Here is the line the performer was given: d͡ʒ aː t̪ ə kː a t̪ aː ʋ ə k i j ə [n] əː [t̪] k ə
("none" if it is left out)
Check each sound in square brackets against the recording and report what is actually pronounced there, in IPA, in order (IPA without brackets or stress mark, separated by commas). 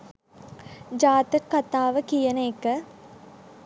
n, none